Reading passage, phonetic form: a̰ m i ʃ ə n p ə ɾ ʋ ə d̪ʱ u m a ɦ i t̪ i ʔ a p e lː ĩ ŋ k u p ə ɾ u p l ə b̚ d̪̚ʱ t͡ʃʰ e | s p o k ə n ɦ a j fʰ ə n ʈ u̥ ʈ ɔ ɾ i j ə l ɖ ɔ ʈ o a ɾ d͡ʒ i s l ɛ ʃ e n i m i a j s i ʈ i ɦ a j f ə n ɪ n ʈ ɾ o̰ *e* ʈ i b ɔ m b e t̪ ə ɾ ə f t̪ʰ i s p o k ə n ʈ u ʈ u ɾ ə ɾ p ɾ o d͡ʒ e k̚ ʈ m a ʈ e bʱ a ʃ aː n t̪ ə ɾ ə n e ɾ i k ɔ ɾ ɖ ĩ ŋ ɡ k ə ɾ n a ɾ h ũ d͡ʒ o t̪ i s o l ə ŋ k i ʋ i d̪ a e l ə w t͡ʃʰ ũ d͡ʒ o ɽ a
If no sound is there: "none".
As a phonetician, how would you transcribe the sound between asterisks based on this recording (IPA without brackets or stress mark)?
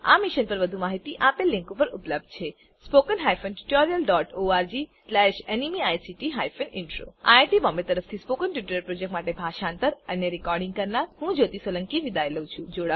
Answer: a